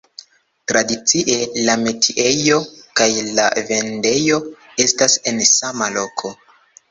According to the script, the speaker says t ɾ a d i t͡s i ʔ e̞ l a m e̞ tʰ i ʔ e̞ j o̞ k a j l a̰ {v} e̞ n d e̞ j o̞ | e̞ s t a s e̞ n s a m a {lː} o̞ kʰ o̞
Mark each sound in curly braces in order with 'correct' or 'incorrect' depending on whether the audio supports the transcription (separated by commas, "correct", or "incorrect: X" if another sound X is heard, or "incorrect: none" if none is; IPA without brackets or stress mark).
correct, incorrect: l